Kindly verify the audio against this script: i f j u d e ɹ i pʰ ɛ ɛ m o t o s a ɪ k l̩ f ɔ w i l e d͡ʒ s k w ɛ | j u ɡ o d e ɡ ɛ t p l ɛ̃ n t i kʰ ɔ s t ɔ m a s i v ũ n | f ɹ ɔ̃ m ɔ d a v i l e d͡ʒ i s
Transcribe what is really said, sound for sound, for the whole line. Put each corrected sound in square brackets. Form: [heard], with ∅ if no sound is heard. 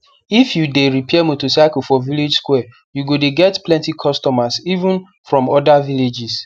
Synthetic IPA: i f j u d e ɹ i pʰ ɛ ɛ m o t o s a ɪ k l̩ f ɔ [v] i l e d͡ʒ s k w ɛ | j u ɡ o d e ɡ ɛ t p l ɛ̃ n t i kʰ ɔ s t ɔ m a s i v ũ n | f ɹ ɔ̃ m ɔ d a v i l e d͡ʒ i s